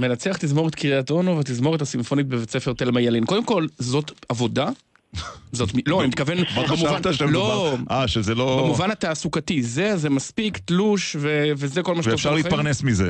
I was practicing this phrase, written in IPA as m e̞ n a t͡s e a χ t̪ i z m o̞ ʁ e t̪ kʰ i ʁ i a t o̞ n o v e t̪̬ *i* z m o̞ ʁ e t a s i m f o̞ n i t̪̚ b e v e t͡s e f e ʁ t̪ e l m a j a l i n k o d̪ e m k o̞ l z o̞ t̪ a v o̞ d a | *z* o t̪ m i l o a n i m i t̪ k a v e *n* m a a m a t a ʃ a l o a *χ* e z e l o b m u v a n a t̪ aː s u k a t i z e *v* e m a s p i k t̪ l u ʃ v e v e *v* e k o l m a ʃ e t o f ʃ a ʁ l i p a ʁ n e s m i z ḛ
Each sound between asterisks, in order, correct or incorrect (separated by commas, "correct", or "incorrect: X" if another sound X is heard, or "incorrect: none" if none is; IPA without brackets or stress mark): correct, correct, correct, incorrect: ʃ, incorrect: z, incorrect: z